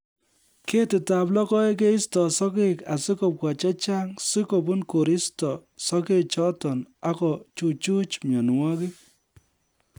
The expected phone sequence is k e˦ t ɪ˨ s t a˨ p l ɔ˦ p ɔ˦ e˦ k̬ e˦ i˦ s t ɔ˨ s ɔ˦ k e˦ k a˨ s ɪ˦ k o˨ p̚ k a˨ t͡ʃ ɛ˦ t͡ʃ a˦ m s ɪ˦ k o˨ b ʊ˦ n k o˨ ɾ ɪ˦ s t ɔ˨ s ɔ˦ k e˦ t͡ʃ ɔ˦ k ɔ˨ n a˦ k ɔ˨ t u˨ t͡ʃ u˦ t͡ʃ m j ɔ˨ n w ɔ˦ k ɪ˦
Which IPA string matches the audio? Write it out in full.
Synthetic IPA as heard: k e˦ t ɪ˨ t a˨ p l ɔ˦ k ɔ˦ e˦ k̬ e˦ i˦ s t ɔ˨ s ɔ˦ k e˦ k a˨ s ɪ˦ k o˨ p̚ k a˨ t͡ʃ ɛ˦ t͡ʃ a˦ ŋ s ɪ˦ k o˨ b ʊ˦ n k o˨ ɾ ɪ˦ s t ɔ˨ s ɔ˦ k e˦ t͡ʃ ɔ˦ t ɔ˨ n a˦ k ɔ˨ t͡ʃ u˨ t͡ʃ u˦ t͡ʃ m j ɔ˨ n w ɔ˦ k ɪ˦